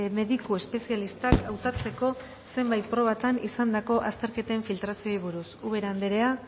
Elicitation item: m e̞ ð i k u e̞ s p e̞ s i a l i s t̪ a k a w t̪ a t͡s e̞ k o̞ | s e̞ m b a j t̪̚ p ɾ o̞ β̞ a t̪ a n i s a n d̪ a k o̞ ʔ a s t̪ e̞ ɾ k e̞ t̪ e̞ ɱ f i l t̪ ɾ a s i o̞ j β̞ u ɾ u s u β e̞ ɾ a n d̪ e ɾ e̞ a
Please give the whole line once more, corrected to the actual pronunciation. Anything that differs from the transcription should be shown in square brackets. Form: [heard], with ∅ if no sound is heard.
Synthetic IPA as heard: m e̞ ð i k u e̞ s p e̞ s i a l i s t̪ a k a w t̪ a t͡s e̞ k o̞ | s e̞ m b a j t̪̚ p ɾ o̞ β̞ a t̪ a n i s a n d̪ a k o̞ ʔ a s t̪ e̞ ɾ k e̞ t̪ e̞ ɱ f i l t̪ ɾ a s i o̞ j β̞ u ɾ u s u β e̞ ɾ a n d̪ e ɾ e̞ a